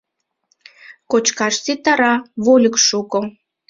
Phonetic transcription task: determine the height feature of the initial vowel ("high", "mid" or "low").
mid